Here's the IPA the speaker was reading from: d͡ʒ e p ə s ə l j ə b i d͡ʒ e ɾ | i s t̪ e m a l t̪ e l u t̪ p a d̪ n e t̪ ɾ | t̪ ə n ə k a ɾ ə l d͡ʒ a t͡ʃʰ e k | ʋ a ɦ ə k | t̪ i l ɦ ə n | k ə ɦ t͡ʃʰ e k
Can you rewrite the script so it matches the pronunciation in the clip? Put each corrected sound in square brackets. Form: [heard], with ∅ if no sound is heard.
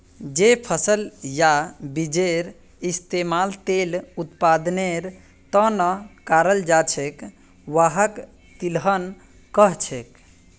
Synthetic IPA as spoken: d͡ʒ e [pʰ] ə s ə l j [a] b i d͡ʒ e ɾ | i s t̪ e m a l t̪ e l u t̪ p a d̪ n e [∅] ɾ | t̪ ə n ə k a ɾ ə l d͡ʒ a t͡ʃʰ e k | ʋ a ɦ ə k | t̪ i l ɦ ə n | k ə ɦ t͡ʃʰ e k

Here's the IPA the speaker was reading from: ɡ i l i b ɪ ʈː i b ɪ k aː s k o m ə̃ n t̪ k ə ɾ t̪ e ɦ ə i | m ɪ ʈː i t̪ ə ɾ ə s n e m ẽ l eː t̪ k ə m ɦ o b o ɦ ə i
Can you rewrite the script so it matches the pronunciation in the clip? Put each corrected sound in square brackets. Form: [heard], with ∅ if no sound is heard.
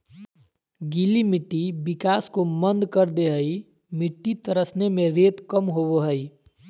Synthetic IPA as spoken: ɡ i l i [m] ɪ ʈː i b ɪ k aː s k o m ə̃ n [d̪] k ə ɾ [d̪] e ɦ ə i | m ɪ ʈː i t̪ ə ɾ ə s n e m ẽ [ɾ] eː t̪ k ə m ɦ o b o ɦ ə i

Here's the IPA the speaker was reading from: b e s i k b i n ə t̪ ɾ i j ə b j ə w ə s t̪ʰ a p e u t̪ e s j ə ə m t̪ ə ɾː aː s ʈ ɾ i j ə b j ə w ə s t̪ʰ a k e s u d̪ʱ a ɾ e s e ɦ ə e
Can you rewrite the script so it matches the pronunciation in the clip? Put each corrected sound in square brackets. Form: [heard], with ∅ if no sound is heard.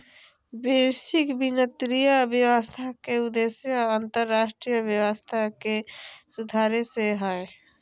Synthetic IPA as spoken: b e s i k b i n ə t̪ ɾ i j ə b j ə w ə s t̪ʰ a [k] e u [d̪] e s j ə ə [n] t̪ ə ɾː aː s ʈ ɾ i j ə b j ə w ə s t̪ʰ a k e s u d̪ʱ a ɾ e s e ɦ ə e

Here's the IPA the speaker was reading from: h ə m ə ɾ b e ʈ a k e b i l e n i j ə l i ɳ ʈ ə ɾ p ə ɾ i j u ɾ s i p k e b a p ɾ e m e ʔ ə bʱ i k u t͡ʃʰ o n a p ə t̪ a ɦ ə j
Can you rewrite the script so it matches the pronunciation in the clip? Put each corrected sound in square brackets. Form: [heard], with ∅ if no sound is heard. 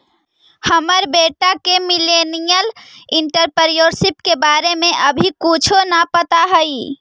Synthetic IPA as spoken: h ə m ə ɾ b e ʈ a k e [m] i l e n i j ə l i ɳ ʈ ə ɾ p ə ɾ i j [o] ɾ s i p k e b a [∅] ɾ e m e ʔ ə bʱ i k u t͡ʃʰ o n a p ə t̪ a ɦ ə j

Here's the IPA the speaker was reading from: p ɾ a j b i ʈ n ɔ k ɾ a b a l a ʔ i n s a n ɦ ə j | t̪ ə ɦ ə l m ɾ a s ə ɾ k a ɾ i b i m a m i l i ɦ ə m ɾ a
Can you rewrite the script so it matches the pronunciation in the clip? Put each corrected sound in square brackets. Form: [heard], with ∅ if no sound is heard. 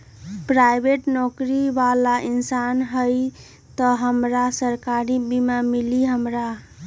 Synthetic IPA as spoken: p ɾ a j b [e] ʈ n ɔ k ɾ [i] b a l a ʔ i n s a n ɦ ə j | t̪ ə ɦ ə [∅] m ɾ a s ə ɾ k a ɾ i b i m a m i l i ɦ ə m ɾ a

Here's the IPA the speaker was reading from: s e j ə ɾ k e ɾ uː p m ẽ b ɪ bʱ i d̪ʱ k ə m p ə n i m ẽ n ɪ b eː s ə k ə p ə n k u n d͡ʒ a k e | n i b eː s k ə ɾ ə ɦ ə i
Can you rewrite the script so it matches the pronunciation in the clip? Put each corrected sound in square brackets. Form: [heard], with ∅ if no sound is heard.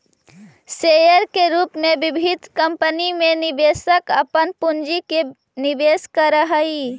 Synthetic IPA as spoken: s e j ə ɾ k e ɾ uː p m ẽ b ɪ bʱ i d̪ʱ k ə m p ə n i m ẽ n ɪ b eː s ə k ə p ə n [p] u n d͡ʒ [i] k e | n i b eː s k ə ɾ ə ɦ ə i

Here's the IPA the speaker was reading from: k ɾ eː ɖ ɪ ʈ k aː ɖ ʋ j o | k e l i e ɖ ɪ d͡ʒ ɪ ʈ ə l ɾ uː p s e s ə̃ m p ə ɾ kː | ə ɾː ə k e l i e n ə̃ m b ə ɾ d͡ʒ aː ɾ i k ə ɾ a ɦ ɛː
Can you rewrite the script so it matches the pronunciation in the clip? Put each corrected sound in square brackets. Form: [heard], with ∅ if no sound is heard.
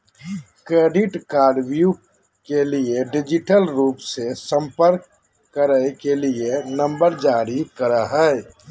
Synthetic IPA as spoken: k ɾ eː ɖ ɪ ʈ k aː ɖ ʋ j [u] | k e l i e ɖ ɪ d͡ʒ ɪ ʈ ə l ɾ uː p s e s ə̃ m p ə ɾ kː | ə [ɾ] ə k e l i e n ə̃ m b ə ɾ d͡ʒ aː ɾ i k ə ɾ a ɦ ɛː

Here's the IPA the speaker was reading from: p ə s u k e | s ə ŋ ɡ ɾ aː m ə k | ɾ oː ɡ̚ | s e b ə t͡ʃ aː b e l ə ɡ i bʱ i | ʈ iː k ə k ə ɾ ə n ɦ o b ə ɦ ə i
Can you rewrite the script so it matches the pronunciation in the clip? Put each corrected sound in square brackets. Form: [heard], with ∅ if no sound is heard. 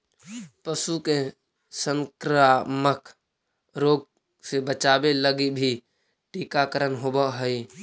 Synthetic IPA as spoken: p ə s u k e | s ə ŋ [k] ɾ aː m ə k | ɾ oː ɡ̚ | s e b ə t͡ʃ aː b e l ə ɡ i bʱ i | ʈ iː k [a] k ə ɾ ə n ɦ o b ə ɦ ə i

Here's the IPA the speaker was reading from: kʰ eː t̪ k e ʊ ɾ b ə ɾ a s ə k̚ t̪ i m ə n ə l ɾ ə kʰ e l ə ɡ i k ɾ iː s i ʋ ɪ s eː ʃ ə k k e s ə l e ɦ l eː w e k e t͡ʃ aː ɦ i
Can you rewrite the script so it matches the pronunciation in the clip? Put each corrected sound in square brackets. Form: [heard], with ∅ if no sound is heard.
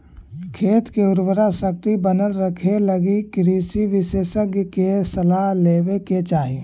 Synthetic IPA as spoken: kʰ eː t̪ k e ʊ ɾ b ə ɾ a s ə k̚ t̪ i [b] ə n ə l ɾ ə kʰ e l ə ɡ i k ɾ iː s i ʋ ɪ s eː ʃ ə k k e s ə l [a] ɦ l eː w e k e t͡ʃ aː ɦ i

